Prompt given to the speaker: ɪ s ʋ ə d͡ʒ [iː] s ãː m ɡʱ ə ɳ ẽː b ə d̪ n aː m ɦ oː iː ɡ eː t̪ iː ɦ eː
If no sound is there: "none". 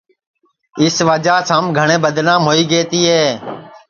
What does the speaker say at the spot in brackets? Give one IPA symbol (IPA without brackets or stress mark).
aː